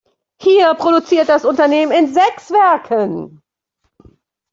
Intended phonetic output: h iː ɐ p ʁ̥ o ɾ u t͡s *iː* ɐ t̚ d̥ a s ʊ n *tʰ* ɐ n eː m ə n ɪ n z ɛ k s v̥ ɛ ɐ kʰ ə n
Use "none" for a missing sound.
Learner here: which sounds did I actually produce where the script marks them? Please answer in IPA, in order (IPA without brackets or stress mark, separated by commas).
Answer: iː, t